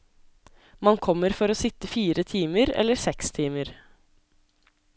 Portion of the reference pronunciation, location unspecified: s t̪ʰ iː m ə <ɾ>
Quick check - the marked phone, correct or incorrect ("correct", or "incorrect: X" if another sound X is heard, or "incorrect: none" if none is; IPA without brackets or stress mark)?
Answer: correct